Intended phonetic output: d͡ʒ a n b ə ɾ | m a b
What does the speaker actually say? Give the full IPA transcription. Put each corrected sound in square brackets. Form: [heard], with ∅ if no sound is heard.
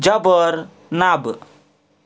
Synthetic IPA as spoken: d͡ʒ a [∅] b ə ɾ | [n] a b